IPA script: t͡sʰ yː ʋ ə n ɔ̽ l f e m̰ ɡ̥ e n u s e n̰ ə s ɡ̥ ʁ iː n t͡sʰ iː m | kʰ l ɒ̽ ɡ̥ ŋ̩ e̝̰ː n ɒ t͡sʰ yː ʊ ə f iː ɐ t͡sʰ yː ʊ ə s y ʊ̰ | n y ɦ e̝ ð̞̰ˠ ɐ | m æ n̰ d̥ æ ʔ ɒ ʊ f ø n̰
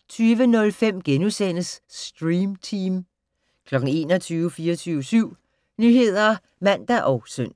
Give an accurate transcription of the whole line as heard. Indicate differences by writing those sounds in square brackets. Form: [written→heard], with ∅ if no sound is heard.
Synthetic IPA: t͡sʰ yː ʋ ə n ɔ̽ l f e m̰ ɡ̥ e n u s e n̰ ə s [ɡ̥→d̥] ʁ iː [n→m] t͡sʰ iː m | kʰ l ɒ̽ ɡ̥ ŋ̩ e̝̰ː n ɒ t͡sʰ yː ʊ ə f iː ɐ t͡sʰ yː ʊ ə s y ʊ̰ | n y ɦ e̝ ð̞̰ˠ ɐ | m æ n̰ d̥ æ ʔ ɒ ʊ [f→s] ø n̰